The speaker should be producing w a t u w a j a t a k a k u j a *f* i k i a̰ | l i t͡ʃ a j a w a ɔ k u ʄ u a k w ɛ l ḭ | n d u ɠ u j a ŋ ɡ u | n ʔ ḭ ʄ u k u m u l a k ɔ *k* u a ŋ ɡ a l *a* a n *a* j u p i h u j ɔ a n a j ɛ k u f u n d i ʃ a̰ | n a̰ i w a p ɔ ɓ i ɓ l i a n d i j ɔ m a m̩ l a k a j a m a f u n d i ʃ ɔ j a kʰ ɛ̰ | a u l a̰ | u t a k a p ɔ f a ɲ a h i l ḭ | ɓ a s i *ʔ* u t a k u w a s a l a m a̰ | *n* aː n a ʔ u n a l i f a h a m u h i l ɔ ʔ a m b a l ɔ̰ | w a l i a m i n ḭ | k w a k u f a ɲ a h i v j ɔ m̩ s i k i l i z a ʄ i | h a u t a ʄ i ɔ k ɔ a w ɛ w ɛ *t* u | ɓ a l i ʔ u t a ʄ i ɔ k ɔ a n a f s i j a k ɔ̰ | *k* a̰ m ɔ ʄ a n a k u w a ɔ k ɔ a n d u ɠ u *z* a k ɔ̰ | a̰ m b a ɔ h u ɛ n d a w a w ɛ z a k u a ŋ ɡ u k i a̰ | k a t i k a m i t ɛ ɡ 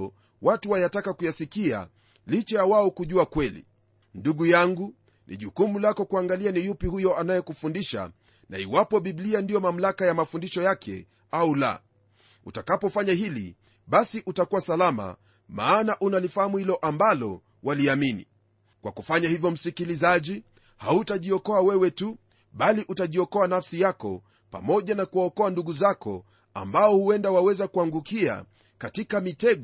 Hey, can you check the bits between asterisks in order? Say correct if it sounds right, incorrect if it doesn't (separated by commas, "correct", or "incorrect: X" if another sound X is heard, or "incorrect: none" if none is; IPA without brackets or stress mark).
incorrect: s, correct, incorrect: i, incorrect: i, correct, incorrect: m, correct, incorrect: p, correct